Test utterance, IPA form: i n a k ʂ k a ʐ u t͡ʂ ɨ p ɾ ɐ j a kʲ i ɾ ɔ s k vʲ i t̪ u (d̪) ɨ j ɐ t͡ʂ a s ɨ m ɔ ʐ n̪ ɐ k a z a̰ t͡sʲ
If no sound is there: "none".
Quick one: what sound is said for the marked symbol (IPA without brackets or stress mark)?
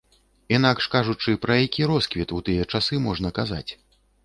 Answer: t̪